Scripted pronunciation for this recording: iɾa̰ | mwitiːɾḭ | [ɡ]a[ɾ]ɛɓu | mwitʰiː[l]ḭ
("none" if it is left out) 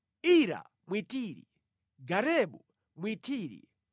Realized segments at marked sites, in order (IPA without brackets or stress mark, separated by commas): ɡ, ɾ, ɾ